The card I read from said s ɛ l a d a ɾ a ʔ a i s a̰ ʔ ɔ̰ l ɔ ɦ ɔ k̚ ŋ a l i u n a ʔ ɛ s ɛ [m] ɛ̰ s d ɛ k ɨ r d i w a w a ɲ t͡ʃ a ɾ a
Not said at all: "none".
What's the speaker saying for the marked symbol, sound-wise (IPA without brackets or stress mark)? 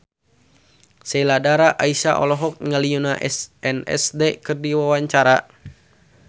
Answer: n